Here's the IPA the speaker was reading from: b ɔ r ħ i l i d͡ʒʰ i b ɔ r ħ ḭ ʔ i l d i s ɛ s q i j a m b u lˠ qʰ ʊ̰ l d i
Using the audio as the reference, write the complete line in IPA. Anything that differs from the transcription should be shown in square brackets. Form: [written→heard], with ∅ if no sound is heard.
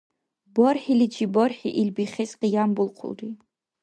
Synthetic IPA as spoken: b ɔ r ħ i l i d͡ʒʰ i b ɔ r ħ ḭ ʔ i l [d→b] i [s→χ] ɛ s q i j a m b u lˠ qʰ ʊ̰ l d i

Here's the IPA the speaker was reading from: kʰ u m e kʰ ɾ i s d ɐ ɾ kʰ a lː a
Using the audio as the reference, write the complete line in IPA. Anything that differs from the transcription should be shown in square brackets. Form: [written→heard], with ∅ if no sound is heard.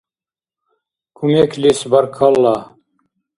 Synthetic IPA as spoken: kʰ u m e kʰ [ɾ→l] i s [d→b] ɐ ɾ kʰ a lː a

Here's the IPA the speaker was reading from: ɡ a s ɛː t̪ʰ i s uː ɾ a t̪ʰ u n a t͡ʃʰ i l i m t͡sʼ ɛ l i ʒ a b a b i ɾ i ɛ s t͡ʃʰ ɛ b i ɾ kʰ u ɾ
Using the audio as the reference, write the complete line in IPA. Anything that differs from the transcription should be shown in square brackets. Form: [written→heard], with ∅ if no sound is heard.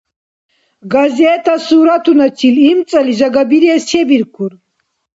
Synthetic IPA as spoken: ɡ a [s→z] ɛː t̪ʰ [i→a] s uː ɾ a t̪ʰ u n a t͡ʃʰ i l i m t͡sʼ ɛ l i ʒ a [b→ɡ] a b i ɾ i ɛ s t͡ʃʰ ɛ b i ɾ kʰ u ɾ

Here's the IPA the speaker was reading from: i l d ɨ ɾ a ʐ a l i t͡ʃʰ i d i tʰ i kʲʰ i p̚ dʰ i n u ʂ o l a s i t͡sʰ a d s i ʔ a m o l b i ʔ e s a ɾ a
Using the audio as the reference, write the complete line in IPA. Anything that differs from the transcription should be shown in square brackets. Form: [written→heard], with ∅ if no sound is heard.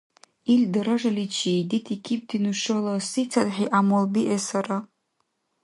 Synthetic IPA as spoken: i l d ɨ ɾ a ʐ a l i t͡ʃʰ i d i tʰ i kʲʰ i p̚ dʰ i n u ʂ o l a s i t͡sʰ a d [s→ħ] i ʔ a m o l b i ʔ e s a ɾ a

